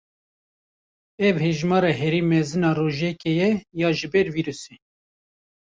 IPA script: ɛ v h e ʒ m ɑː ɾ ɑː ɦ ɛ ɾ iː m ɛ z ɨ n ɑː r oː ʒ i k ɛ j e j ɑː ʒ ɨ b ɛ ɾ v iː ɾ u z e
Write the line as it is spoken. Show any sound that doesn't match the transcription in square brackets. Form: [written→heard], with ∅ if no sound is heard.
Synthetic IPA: ɛ v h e ʒ m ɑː ɾ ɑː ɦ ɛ ɾ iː m ɛ z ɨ n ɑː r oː ʒ [i→ɛ] k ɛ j [e→ɛ] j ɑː ʒ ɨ b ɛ ɾ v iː ɾ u [z→s] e